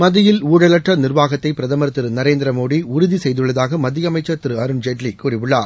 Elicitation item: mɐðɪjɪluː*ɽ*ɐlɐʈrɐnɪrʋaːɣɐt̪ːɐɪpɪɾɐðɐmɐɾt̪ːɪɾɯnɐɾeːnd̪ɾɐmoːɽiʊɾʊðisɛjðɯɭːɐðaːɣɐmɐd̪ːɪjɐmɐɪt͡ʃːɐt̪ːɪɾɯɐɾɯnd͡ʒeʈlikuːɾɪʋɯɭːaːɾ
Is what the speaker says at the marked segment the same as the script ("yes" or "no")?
yes